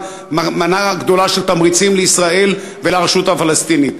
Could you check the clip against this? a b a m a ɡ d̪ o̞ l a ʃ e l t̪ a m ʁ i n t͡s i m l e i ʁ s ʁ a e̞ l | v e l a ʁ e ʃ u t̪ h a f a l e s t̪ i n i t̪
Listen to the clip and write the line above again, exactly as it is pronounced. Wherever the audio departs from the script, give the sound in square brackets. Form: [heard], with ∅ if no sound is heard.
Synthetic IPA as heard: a [m] a [n] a ɡ d̪ o̞ l a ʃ e l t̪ a m ʁ i [∅] t͡s i m l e i [∅] s ʁ a e̞ l | v e l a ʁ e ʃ u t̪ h a f a l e s t̪ i n i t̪